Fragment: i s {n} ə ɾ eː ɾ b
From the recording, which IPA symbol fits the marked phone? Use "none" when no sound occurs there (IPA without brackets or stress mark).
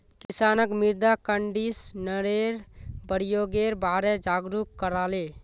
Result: n